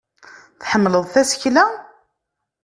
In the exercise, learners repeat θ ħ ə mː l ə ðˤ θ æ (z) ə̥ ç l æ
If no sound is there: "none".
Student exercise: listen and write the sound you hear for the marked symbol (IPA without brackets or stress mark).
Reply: s